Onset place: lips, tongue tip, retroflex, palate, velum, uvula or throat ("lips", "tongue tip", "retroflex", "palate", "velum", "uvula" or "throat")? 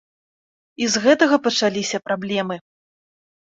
tongue tip